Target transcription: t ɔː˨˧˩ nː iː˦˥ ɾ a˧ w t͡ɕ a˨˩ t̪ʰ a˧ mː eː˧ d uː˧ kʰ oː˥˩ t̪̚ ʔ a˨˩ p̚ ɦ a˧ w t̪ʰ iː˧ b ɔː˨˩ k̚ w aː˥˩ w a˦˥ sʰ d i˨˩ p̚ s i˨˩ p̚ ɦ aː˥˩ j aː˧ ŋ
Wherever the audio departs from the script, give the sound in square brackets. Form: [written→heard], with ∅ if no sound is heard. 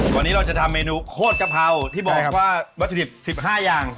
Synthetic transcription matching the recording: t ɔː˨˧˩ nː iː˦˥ ɾ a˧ w t͡ɕ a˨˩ t̪ʰ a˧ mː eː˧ [d→n] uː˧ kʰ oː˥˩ t̪̚ [ʔ→k] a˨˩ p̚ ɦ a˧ w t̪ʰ [iː˧→iː˥˩] b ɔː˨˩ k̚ w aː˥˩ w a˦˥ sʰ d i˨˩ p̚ s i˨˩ p̚ ɦ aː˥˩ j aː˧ ŋ